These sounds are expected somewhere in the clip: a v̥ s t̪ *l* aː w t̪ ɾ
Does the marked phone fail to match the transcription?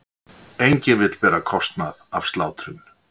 no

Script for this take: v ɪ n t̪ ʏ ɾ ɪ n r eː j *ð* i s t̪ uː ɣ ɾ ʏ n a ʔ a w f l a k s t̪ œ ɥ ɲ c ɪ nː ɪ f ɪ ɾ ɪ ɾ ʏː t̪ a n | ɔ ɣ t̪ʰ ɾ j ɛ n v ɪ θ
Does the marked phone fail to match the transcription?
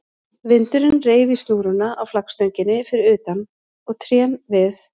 yes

